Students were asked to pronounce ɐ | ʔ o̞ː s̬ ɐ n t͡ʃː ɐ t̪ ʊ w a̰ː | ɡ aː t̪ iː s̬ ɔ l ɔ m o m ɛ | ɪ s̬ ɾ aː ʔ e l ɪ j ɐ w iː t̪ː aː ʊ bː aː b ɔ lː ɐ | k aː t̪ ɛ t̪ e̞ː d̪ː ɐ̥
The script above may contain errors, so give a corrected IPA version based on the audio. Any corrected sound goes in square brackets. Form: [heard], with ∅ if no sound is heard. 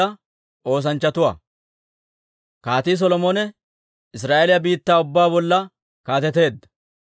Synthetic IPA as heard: ɐ | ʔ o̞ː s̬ ɐ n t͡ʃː ɐ t̪ ʊ w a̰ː | [k] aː t̪ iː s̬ ɔ l ɔ m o [n] ɛ | ɪ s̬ ɾ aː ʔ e l ɪ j ɐ [b] iː t̪ː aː ʊ bː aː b ɔ lː ɐ | k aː t̪ ɛ t̪ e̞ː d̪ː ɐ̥